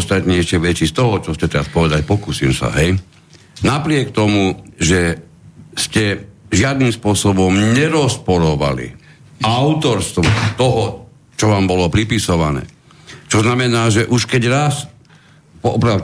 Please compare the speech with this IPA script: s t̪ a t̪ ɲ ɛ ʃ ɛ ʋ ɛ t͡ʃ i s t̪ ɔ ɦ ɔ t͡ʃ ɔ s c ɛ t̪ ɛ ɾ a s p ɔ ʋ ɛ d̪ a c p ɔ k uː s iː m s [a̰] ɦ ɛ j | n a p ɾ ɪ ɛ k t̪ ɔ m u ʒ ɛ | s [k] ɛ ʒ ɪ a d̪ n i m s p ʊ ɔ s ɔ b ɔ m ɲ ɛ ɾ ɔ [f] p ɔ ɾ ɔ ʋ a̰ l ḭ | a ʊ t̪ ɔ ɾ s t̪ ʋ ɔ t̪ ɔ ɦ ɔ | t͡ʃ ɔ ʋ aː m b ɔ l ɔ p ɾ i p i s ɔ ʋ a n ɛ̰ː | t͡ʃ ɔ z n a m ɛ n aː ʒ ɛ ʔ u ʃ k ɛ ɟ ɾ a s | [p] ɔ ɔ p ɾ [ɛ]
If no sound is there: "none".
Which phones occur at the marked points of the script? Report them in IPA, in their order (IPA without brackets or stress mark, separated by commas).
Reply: a̰, c, s, p, a